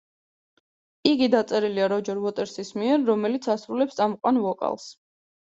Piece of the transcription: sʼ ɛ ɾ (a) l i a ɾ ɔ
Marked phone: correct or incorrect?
incorrect